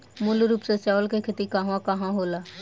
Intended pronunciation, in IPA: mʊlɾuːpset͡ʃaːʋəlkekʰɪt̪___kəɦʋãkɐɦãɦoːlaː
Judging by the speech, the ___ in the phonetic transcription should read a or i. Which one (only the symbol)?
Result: i